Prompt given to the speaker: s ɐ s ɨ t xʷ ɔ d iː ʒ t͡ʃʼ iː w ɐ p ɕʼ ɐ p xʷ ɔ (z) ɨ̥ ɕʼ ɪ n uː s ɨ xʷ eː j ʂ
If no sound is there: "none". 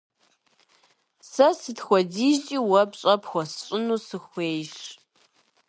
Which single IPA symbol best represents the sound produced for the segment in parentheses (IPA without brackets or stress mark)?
s